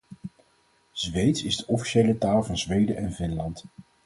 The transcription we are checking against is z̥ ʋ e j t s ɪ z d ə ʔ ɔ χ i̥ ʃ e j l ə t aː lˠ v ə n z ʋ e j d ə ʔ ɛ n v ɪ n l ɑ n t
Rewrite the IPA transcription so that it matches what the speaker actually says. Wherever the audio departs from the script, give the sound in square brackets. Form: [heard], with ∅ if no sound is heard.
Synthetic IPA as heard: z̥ ʋ e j t s ɪ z d ə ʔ ɔ [f] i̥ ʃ e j l ə t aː lˠ v [ɑ] n z ʋ e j d ə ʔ ɛ n v ɪ n l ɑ n t